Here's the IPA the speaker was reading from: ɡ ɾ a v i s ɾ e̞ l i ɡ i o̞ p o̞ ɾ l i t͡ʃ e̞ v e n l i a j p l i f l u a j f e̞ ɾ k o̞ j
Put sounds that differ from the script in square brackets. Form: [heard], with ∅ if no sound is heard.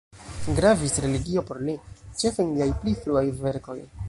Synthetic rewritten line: ɡ ɾ a v i s ɾ e̞ l i ɡ i o̞ p o̞ ɾ l i t͡ʃ e̞ [f] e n l i a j p l i f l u a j [v] e̞ ɾ k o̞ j